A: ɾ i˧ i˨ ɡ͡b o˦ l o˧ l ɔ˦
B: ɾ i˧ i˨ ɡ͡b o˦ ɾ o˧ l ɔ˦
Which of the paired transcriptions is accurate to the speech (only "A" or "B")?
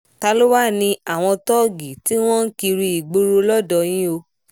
B